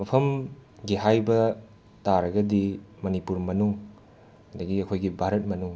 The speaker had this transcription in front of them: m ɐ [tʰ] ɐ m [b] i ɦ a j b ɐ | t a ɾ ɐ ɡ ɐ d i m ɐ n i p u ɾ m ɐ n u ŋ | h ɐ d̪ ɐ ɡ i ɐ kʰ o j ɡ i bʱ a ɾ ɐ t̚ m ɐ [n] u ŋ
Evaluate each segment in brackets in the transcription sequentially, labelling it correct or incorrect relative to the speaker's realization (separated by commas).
incorrect, incorrect, correct